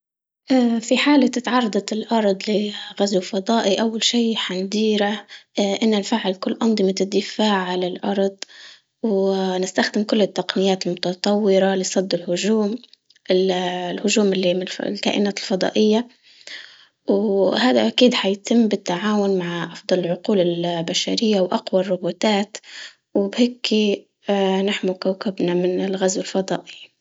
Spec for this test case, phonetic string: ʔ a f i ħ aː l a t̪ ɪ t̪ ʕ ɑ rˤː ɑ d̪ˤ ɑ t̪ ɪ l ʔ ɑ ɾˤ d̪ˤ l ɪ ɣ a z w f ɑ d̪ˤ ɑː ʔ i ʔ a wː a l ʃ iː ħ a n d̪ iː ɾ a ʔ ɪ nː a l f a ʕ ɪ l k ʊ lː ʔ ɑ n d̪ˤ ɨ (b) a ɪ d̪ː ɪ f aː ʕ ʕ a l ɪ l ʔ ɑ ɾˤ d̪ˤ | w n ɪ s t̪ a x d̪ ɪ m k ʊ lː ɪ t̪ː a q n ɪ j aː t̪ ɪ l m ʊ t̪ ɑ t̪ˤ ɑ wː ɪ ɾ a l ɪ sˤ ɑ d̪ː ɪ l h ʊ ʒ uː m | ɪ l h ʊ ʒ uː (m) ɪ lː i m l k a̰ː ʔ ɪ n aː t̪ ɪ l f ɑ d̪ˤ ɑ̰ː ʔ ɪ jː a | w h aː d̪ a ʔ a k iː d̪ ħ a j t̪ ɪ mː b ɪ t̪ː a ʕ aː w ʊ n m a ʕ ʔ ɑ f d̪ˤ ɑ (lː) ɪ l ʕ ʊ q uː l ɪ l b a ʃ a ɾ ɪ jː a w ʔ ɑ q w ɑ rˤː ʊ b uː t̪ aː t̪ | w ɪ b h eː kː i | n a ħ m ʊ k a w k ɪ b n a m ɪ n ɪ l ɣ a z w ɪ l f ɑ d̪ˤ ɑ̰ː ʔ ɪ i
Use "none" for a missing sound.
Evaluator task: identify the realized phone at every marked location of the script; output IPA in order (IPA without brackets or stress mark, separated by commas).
m, m, l